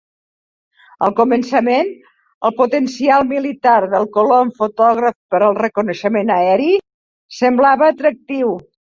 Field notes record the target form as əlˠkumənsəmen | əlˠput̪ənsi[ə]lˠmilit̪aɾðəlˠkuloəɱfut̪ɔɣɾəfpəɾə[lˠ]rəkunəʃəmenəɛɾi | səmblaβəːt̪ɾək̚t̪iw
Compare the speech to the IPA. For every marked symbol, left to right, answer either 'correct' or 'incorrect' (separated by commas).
incorrect, correct